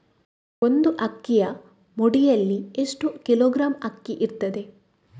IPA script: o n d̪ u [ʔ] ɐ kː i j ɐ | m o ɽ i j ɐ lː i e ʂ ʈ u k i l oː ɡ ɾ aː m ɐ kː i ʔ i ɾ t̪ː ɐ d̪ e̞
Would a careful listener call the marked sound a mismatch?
no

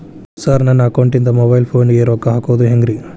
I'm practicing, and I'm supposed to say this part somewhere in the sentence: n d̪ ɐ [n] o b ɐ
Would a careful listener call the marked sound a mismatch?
yes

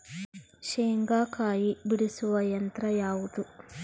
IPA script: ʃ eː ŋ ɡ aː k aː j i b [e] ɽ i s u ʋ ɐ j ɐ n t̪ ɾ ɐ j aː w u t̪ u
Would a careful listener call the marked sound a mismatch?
yes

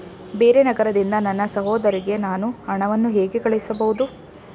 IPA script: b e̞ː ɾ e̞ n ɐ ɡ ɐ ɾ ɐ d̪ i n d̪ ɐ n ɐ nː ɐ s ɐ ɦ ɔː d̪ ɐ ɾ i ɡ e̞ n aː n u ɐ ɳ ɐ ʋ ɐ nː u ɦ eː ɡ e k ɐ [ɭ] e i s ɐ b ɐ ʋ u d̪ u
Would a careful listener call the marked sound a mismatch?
no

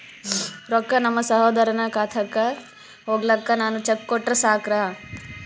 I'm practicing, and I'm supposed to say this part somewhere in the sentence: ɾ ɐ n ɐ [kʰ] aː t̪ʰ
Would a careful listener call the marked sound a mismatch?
yes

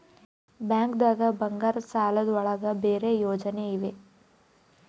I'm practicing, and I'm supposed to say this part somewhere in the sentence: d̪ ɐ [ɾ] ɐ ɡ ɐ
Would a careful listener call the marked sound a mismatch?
yes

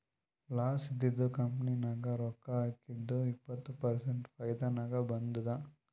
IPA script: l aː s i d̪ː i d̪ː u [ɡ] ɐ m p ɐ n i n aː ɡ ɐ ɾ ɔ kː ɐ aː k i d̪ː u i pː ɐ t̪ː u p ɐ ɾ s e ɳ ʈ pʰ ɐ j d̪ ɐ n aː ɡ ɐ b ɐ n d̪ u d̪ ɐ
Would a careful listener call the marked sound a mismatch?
yes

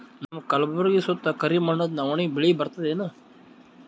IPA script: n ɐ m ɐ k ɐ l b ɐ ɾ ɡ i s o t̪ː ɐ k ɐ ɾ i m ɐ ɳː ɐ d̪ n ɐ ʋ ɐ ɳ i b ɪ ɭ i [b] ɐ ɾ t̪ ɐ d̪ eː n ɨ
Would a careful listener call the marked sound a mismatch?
no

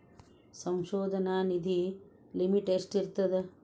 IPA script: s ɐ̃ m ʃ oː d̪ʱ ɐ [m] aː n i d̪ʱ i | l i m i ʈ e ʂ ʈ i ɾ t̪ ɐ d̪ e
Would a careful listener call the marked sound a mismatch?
yes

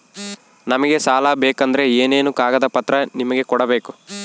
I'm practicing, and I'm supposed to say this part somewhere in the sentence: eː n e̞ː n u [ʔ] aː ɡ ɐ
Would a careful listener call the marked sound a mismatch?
yes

